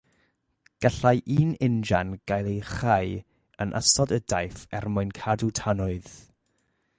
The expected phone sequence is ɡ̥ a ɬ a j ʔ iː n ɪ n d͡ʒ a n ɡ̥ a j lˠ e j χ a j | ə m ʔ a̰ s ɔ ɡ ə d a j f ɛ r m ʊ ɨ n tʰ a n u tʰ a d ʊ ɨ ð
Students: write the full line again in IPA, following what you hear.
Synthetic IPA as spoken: ɡ̥ a ɬ a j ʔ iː n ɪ n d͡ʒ a n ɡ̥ a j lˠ e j χ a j | ə n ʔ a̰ s ɔ d ə d a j f ɛ r m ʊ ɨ n kʰ a d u tʰ a n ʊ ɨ ð